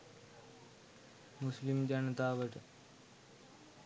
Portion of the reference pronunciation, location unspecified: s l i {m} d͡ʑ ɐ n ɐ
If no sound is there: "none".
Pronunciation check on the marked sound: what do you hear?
m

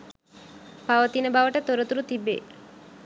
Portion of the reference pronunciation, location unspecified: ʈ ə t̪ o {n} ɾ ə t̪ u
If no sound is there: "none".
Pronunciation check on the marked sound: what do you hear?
none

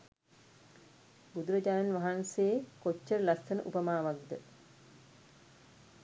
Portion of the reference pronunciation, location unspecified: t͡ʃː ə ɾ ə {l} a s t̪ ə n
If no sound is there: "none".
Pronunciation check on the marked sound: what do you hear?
l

